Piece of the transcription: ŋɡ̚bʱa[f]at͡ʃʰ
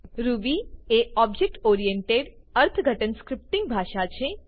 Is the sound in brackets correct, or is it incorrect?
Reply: incorrect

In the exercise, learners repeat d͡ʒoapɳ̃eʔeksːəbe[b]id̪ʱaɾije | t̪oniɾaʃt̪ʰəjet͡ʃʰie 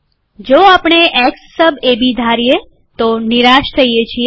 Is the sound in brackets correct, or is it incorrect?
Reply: correct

